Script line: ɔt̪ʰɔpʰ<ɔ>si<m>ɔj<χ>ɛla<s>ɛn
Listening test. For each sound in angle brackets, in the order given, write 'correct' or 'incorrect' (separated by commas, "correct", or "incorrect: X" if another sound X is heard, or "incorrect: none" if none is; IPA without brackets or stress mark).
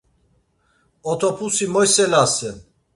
incorrect: u, correct, incorrect: s, correct